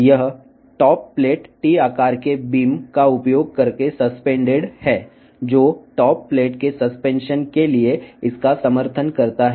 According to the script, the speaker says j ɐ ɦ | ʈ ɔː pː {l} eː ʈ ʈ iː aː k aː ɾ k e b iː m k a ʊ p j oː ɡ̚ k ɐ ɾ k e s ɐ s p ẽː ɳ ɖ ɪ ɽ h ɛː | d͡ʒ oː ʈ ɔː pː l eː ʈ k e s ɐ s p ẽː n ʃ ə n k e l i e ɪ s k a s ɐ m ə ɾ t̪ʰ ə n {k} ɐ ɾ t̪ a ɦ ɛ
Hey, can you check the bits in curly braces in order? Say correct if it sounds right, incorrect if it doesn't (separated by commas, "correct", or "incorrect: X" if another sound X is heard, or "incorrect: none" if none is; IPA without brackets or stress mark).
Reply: correct, correct